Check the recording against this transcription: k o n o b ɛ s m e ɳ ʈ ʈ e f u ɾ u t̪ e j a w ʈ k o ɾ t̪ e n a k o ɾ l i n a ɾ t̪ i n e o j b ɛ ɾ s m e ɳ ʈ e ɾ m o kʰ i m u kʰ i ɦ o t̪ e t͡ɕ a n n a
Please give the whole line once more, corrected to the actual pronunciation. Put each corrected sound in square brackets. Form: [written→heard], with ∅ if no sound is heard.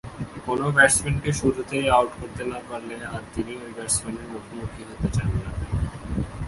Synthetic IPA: k o n o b ɛ s m e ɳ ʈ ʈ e [f→ʃ] u ɾ u t̪ e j a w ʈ k o ɾ t̪ e n a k o ɾ l [i→e] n a ɾ t̪ i n [e→i] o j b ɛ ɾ s m e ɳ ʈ e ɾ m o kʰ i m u kʰ i ɦ o t̪ e t͡ɕ a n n a